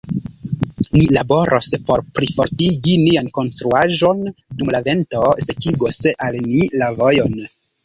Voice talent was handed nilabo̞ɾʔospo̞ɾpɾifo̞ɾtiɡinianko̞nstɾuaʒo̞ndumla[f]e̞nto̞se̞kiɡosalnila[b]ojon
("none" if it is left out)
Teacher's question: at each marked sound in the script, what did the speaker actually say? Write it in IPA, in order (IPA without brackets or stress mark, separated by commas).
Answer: v, v